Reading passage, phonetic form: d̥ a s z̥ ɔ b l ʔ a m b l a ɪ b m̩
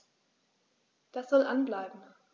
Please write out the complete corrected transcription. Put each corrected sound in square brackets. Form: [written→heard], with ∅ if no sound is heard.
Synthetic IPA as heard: d̥ a s z̥ ɔ [b→∅] l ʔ a [m→n] b l a ɪ b m̩